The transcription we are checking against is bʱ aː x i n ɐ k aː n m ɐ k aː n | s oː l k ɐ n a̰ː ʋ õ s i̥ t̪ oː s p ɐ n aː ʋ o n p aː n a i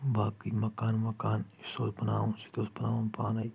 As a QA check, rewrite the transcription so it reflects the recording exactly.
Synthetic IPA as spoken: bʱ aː k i m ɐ k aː n m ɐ k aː n | s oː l p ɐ n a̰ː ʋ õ s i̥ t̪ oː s p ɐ n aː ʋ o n p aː n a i